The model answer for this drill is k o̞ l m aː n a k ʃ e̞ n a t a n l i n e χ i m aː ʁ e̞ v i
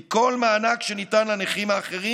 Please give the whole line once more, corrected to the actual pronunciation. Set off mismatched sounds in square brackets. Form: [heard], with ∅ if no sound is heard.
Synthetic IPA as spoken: k o̞ l m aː n a k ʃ e̞ n [i] t a n l [a] n e χ i m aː [χ] e̞ [ʁ] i